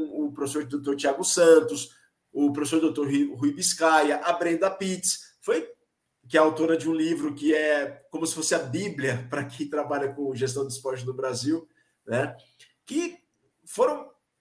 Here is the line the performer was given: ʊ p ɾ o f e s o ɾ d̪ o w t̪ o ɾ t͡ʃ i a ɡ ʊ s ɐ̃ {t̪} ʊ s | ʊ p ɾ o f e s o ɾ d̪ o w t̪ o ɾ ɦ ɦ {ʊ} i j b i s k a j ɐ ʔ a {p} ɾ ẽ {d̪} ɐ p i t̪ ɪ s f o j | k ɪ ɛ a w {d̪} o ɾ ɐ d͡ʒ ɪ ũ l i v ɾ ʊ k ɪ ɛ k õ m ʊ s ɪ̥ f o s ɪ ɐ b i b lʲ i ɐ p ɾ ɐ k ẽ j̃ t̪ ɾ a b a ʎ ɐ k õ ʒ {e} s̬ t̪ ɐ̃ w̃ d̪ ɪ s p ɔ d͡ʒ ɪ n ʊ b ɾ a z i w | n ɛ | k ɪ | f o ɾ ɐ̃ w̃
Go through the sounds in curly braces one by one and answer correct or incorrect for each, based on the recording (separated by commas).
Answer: correct, incorrect, incorrect, correct, incorrect, correct